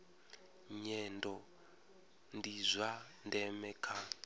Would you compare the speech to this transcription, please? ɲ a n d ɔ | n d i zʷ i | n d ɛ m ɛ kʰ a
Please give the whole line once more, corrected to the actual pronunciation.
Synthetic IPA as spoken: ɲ ɛ n d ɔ | n d i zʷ a | n d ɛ m ɛ kʰ a